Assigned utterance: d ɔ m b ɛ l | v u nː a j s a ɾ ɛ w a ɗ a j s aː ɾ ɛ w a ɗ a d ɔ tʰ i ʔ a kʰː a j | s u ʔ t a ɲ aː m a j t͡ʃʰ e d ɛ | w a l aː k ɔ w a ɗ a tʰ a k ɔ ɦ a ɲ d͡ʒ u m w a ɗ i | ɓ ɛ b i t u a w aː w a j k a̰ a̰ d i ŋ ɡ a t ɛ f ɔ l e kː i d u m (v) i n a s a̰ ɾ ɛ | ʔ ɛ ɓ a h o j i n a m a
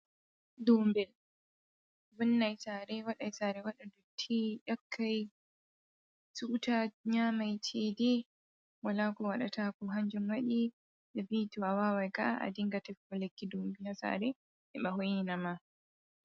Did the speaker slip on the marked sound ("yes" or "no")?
yes